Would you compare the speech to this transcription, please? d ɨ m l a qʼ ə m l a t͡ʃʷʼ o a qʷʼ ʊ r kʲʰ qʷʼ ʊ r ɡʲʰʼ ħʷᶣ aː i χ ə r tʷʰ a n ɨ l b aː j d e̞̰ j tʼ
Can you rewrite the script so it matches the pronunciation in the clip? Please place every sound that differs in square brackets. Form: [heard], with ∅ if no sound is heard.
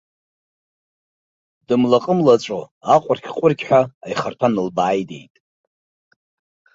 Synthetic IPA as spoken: d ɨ m l a qʼ ə m l a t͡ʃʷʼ o a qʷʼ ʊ r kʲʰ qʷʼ ʊ r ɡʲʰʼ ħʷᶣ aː [j] χ [a] r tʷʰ a n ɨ l b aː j d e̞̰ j tʼ